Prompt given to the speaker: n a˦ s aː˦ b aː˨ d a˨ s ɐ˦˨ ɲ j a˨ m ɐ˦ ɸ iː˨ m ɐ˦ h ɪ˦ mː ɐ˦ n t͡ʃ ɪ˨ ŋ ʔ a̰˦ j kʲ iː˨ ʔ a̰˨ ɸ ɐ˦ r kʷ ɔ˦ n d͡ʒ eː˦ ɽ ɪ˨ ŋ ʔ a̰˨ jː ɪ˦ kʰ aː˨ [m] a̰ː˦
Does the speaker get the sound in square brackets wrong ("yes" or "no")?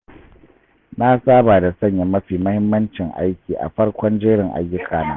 yes